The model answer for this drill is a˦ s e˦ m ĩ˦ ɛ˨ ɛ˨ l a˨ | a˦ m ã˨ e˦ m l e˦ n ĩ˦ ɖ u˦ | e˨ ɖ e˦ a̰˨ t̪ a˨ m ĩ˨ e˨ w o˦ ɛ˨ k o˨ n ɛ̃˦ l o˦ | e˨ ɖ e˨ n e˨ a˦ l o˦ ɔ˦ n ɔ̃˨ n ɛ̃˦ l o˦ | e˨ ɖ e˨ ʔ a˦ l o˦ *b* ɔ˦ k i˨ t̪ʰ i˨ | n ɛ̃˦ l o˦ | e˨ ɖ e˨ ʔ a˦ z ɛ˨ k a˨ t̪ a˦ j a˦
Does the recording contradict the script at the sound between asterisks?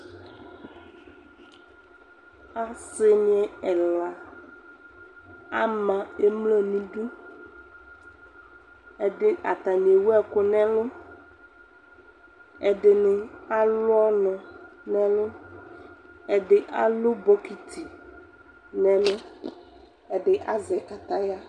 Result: no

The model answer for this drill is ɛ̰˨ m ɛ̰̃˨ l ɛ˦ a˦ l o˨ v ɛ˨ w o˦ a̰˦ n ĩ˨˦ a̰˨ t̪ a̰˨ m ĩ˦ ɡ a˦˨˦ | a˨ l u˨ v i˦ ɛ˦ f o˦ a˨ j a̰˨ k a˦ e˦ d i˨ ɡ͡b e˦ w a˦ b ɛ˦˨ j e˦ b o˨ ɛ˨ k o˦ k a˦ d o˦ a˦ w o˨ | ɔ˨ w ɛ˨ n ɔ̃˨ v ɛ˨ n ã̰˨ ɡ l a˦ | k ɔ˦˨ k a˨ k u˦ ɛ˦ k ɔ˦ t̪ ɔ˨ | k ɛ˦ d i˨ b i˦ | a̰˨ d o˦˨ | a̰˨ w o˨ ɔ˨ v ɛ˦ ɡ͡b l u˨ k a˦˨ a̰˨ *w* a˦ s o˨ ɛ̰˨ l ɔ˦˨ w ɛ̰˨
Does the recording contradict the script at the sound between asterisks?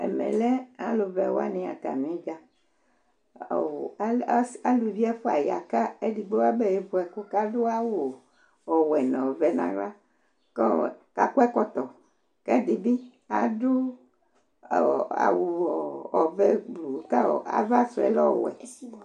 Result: yes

